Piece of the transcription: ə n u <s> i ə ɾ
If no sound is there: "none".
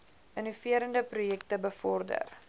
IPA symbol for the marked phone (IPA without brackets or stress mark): f